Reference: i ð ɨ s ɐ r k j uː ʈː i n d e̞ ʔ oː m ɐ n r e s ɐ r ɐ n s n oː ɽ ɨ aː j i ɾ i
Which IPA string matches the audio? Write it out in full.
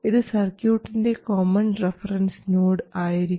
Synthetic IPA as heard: i ð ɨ s ɐ r k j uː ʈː i n d e̞ k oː m ɐ n r e f ɐ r ɐ n s n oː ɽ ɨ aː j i ɾ i